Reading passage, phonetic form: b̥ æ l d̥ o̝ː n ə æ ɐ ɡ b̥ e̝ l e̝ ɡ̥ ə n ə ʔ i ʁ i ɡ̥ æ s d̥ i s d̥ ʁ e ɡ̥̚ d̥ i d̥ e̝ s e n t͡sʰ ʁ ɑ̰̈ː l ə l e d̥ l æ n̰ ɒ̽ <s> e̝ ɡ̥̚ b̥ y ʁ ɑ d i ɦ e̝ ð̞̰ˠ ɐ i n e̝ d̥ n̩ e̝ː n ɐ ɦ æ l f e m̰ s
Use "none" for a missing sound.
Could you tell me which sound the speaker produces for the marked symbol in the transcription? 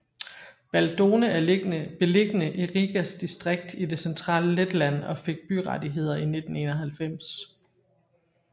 f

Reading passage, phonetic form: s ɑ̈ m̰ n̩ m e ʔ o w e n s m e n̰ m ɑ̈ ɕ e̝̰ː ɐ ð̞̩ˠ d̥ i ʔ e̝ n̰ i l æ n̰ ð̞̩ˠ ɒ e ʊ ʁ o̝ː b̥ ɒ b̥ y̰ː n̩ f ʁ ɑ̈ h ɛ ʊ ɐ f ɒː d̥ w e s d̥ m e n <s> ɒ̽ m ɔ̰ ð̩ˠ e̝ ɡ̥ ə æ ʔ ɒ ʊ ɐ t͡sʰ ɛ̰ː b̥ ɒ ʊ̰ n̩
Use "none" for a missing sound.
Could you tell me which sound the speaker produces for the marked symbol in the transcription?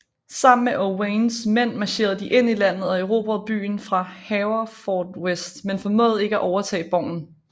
f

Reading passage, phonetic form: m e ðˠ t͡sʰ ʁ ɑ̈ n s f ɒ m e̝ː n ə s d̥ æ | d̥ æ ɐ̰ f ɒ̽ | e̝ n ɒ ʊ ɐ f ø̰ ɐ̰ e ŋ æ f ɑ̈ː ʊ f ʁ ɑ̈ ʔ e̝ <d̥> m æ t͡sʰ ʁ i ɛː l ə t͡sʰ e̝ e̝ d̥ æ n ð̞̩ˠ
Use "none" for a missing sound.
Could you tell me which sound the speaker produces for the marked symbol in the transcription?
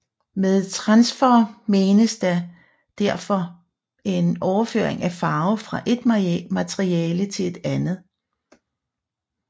d̥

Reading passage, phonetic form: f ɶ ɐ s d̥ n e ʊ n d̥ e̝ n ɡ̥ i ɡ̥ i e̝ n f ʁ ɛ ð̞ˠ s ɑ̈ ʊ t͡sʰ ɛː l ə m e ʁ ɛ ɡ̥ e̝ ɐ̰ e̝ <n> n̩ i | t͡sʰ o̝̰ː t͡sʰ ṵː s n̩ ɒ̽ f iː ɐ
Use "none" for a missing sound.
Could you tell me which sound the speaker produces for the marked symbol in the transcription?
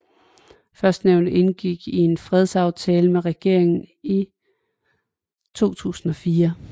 ŋ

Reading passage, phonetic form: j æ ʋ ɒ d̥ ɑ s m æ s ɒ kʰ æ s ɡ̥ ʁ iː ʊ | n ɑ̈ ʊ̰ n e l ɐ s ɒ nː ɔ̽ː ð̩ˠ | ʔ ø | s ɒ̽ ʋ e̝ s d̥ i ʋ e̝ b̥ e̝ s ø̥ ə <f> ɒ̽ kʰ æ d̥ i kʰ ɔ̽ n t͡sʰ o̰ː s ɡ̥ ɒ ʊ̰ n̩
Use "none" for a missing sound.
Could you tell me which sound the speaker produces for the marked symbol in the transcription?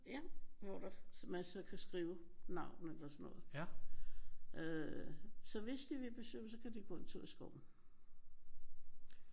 s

